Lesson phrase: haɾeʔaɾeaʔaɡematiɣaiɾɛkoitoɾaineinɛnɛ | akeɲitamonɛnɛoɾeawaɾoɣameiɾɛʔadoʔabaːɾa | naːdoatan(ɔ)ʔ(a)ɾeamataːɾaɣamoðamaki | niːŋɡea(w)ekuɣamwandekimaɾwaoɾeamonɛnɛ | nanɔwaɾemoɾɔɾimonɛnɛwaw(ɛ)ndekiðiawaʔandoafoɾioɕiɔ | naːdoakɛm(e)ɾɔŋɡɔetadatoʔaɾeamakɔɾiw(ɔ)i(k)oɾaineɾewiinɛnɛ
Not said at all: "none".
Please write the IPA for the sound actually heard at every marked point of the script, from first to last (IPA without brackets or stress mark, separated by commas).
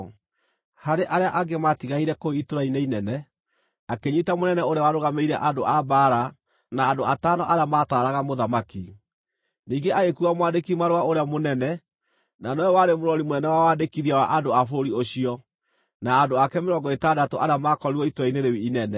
ɔ, a, ɣ, a, e, ɔ, t